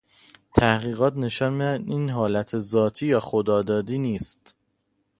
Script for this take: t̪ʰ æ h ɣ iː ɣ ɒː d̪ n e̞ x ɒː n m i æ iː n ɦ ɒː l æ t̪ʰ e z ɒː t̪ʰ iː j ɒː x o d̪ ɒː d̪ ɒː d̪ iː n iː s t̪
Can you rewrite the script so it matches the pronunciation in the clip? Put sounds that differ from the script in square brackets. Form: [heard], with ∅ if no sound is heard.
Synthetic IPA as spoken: t̪ʰ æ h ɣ iː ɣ ɒː [t̪] n e̞ [ʃ] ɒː n m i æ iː n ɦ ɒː l æ t̪ʰ e z ɒː t̪ʰ iː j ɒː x o d̪ ɒː d̪ ɒː d̪ iː n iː s t̪